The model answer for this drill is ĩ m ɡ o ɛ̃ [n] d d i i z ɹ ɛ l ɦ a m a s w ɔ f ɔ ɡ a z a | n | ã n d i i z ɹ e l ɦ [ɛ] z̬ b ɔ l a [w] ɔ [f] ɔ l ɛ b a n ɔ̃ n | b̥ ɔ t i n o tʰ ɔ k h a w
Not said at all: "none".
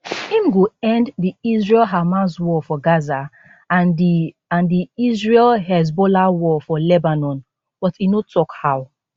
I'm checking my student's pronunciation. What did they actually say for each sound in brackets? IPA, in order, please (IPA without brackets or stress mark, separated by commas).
n, ɛ, w, f